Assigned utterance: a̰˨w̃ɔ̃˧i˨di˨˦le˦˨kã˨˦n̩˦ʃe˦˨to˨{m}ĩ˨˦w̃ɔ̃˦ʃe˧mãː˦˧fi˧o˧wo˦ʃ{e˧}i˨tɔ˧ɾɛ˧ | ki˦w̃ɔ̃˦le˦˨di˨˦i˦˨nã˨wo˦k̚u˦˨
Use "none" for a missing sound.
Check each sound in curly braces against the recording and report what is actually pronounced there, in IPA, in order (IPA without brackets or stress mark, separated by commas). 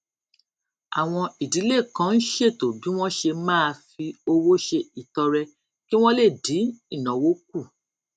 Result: b, e˧